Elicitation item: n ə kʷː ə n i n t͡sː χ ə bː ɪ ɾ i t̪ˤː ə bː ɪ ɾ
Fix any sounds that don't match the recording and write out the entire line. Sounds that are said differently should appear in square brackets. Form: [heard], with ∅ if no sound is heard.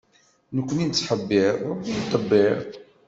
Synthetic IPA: n ə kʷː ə n i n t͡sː [ħ] ə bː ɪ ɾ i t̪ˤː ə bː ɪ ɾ